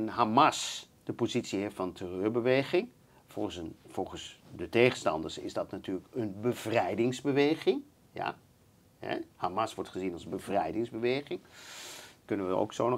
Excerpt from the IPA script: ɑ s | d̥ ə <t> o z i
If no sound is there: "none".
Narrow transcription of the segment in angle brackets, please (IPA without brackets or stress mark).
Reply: p